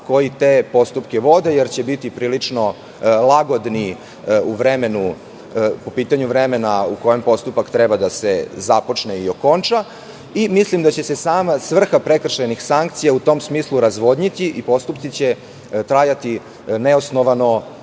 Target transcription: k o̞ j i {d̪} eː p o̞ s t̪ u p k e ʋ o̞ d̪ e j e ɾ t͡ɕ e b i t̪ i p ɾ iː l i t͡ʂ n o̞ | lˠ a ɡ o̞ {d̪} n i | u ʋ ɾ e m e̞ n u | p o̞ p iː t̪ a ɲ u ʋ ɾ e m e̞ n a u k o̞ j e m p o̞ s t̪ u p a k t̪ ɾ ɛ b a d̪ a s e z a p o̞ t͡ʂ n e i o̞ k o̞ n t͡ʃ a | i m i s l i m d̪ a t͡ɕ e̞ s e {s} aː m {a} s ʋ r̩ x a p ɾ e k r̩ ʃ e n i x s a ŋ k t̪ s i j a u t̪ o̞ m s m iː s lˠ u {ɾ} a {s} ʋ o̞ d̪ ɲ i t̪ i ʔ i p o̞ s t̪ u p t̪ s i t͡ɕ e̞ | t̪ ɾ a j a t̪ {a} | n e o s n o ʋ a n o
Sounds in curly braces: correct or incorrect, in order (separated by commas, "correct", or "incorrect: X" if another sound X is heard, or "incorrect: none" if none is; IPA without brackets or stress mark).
incorrect: t̪, correct, correct, correct, correct, incorrect: z, incorrect: i